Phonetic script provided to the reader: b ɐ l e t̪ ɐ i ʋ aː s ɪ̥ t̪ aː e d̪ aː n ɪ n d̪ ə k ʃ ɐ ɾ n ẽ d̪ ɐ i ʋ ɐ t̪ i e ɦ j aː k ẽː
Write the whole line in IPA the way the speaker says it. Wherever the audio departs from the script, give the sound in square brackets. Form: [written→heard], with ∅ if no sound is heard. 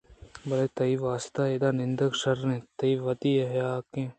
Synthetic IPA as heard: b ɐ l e t̪ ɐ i ʋ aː s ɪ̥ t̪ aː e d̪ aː n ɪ n d̪ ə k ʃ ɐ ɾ n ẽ [d̪→t̪] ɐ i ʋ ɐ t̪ i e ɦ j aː k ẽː